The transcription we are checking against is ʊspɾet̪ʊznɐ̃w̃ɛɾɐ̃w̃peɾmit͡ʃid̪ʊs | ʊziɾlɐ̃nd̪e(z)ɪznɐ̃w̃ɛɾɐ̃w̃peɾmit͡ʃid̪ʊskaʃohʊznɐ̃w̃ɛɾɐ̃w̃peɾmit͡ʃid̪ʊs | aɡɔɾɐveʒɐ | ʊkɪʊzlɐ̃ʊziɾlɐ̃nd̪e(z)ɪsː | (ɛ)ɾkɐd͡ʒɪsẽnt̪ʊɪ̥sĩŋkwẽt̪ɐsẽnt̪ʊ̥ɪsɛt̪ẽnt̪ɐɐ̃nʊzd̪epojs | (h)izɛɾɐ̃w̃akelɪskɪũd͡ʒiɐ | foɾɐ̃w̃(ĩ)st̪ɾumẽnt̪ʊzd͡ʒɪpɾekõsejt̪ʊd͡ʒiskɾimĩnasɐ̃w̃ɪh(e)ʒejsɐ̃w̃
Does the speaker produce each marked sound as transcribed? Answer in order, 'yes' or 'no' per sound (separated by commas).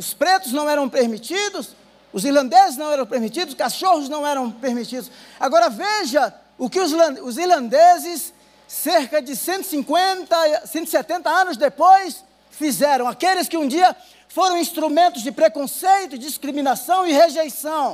yes, yes, no, no, yes, yes